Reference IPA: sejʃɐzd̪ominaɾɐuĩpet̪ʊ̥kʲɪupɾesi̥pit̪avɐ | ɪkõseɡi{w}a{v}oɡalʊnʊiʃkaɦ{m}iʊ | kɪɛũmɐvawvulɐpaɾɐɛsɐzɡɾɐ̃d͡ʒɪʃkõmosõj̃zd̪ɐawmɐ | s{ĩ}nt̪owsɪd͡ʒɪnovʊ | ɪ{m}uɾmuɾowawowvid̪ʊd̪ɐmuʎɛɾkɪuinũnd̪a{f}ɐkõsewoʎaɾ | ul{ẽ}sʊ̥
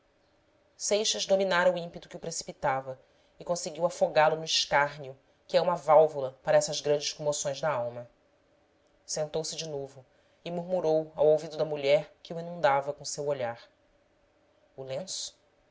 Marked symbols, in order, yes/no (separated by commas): yes, no, no, no, yes, no, yes